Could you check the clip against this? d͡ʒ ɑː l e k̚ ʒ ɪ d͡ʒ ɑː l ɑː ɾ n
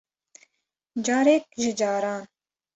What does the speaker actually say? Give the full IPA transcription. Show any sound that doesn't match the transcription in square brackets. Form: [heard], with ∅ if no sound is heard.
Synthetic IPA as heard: d͡ʒ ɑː [ɾ] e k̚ ʒ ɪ d͡ʒ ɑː [ɾ] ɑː [∅] n